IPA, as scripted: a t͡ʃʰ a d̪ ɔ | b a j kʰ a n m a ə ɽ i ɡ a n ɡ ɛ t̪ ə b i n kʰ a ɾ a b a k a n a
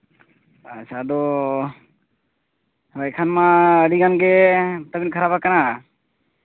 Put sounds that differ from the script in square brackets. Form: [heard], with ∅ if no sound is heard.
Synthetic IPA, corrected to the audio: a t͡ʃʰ a d̪ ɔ | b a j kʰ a n m a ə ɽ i ɡ a n ɡ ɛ t̪ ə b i n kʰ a ɾ a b a k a n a